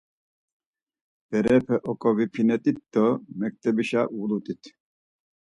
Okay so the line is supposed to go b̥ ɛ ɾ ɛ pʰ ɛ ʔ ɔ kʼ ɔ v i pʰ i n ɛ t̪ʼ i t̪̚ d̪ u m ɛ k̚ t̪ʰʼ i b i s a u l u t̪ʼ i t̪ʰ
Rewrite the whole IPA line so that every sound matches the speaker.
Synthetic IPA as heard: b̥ ɛ ɾ ɛ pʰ ɛ ʔ ɔ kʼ ɔ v i pʰ i n ɛ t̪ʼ i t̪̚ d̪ ɔ m ɛ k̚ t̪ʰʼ ɛ b i ʃ a u l u t̪ʼ i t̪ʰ